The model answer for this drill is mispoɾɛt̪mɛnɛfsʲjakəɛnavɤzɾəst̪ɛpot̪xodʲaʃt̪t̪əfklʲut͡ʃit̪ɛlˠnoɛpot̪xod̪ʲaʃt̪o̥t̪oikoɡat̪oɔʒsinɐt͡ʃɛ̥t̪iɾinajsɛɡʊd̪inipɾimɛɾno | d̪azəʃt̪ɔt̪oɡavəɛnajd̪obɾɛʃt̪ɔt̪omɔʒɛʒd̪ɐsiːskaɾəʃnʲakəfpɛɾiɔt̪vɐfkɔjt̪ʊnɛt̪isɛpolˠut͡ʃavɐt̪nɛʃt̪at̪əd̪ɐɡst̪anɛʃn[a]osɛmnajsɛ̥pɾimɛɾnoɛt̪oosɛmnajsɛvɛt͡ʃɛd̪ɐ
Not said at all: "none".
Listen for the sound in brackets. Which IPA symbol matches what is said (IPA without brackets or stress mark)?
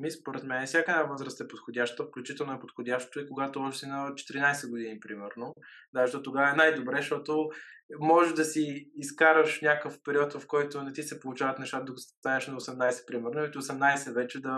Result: ɐ